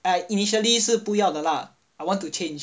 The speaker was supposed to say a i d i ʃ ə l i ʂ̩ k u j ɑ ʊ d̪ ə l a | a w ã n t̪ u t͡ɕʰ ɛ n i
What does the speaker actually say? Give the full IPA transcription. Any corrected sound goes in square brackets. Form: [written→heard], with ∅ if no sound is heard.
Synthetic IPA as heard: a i [d→n] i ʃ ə l i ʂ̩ [k→p] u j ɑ ʊ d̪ ə l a | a w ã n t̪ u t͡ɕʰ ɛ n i